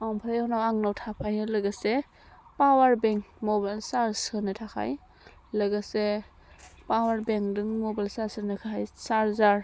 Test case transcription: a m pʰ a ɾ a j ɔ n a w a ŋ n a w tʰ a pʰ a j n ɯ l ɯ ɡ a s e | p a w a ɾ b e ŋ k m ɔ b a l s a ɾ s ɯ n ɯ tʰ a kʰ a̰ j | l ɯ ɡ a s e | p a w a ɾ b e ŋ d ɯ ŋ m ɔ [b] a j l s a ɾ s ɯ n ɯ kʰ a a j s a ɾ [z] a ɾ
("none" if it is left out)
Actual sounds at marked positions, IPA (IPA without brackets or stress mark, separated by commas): b, z